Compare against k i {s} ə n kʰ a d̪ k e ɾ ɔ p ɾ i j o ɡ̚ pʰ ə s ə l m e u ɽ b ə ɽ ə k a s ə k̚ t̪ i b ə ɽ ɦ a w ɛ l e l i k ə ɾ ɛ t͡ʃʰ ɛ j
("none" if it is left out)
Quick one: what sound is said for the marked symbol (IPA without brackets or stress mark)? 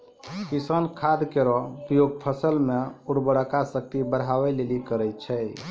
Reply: s